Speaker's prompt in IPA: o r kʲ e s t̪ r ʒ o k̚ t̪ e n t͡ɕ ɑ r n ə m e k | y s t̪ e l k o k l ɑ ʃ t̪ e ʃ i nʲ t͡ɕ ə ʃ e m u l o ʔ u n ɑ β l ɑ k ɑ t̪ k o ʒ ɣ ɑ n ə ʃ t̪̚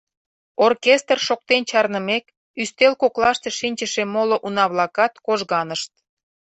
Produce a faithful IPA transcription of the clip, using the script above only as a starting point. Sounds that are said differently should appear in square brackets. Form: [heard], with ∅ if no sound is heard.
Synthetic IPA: o r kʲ e s t̪ r [ʃ] o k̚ t̪ e n t͡ɕ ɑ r n ə m e k | y s t̪ e l k o k l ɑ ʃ t̪ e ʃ i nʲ t͡ɕ ə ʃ e m [o] l o ʔ u n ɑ β l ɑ k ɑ t̪ k o ʒ ɣ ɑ n ə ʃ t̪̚